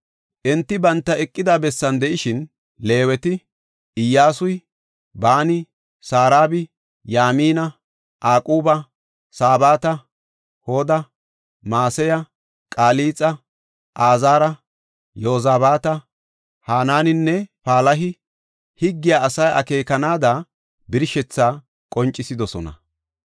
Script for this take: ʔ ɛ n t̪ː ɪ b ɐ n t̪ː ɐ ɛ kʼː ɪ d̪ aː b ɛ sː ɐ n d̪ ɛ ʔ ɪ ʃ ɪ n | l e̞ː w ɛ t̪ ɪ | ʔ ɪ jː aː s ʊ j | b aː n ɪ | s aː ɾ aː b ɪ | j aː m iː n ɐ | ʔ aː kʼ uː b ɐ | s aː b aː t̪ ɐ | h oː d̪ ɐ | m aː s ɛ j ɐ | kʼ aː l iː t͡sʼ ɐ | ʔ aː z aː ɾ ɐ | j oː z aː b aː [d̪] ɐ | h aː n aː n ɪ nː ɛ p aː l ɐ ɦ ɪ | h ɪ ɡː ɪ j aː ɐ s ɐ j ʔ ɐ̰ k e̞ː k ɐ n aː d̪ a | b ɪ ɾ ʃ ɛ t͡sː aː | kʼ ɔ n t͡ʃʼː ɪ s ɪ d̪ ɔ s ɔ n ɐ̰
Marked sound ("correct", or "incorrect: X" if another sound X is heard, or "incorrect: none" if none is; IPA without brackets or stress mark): incorrect: t̪